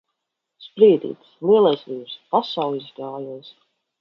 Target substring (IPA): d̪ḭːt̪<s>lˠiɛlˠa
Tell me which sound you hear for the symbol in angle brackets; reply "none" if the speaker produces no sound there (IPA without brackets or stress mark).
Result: s